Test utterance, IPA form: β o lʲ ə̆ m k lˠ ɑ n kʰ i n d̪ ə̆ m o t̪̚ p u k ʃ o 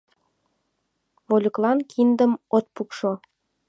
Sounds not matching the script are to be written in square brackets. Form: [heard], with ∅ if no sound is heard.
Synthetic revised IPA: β o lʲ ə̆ [∅] k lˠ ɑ n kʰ i n d̪ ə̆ m o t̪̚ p u k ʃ o

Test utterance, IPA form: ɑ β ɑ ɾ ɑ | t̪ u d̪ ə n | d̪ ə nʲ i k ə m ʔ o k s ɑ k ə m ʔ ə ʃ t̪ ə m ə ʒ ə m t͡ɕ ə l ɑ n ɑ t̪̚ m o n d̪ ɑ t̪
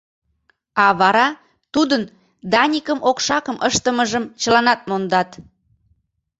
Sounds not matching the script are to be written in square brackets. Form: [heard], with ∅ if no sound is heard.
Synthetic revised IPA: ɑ β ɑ ɾ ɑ | t̪ u d̪ ə n | d̪ [ɑ] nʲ i k ə m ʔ o k [ʃ] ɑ k ə m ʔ ə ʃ t̪ ə m ə ʒ ə m t͡ɕ ə l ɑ n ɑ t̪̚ m o n d̪ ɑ t̪

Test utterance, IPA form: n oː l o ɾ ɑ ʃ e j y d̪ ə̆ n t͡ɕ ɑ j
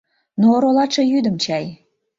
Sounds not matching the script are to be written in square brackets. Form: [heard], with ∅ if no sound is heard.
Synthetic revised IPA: n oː [ɾ] o [l] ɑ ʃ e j y d̪ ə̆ [m] t͡ɕ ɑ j

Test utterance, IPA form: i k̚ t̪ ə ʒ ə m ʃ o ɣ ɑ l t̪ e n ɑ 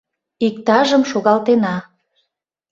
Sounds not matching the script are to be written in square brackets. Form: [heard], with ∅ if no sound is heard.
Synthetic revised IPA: i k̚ t̪ [ɑ] ʒ ə m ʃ o ɣ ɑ l t̪ e n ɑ

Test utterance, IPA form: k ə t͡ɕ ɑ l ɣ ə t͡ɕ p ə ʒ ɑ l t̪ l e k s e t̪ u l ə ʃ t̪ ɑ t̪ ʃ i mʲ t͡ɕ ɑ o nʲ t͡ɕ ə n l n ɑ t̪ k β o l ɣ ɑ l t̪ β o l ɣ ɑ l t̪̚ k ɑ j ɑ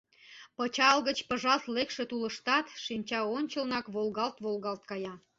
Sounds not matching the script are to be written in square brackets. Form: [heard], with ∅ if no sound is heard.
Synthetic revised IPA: [p] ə t͡ɕ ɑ l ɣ ə t͡ɕ p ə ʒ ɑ l t̪ l e k [ʃ] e t̪ u l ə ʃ t̪ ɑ t̪ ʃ i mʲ t͡ɕ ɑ o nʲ t͡ɕ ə [∅] l n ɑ [∅] k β o l ɣ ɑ l t̪ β o l ɣ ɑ l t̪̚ k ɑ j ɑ

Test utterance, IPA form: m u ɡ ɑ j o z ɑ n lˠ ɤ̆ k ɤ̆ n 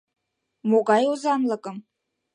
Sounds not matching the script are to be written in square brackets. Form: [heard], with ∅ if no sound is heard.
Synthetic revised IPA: m [o] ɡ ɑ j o z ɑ n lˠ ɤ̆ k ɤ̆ [m]

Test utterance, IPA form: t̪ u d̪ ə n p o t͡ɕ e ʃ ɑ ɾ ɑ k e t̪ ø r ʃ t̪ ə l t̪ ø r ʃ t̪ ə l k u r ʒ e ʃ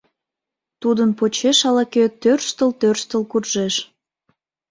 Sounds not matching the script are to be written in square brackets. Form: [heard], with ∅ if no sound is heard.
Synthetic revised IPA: t̪ u d̪ ə n p o t͡ɕ e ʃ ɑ [l] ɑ k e t̪ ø r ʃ t̪ ə l t̪ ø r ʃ t̪ ə l k u r ʒ e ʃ

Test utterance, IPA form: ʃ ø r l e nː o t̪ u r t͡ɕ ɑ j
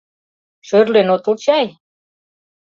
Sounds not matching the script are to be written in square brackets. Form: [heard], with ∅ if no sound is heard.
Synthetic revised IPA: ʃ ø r l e [n] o t̪ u [l] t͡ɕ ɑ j

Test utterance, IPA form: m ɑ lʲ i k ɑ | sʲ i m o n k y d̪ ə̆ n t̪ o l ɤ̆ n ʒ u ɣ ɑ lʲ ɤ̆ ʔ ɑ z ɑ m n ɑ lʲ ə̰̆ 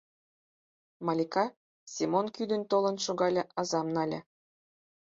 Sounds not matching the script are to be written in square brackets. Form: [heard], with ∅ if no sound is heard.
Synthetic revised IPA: m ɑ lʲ i k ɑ | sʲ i m o n k y d̪ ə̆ n t̪ o l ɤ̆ n [ʃ] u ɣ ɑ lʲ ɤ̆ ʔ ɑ z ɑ m n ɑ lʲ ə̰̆

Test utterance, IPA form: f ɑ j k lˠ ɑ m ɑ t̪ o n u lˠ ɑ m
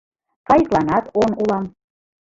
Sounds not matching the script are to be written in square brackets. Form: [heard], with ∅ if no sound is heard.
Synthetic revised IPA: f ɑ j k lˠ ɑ [n] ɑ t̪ o n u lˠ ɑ m

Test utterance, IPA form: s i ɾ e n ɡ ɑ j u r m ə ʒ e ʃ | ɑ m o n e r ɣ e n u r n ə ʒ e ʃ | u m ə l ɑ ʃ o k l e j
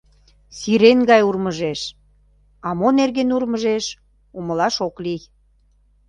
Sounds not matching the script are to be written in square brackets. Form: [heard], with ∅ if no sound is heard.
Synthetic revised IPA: s i ɾ e n ɡ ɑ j u r m ə ʒ e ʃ | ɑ m o n e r ɣ e n u r [m] ə ʒ e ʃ | u m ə l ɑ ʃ o k l [i] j

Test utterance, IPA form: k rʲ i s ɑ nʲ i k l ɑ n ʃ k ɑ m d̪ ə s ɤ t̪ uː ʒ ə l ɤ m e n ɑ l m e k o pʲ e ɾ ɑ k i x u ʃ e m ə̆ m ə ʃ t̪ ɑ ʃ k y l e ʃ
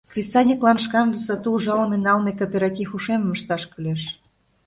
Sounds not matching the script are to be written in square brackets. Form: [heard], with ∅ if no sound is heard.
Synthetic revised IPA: k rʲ i s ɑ nʲ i k l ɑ n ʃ k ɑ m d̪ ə s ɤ t̪ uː ʒ [ɑ] l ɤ m e n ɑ l m e k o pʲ e ɾ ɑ k i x u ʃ e m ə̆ m ə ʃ t̪ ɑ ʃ k y l e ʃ

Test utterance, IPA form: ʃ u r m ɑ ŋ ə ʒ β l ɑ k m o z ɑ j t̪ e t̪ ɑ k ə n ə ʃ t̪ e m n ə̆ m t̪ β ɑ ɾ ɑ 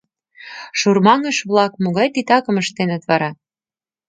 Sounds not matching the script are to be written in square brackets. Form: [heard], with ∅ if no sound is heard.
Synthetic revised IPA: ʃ u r m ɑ ŋ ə [ʃ] β l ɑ k m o [ɣ] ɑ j t̪ [i] t̪ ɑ k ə [m] ə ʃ t̪ e [∅] n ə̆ [∅] t̪ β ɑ ɾ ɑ

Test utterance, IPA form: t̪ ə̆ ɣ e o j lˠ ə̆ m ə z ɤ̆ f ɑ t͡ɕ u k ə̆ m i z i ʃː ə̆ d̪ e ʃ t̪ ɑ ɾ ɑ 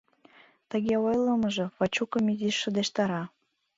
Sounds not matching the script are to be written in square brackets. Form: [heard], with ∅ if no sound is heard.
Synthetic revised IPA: t̪ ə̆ ɣ e o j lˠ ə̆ m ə [ʒ] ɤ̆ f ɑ t͡ɕ u k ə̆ m i z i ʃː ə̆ d̪ e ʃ t̪ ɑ ɾ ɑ

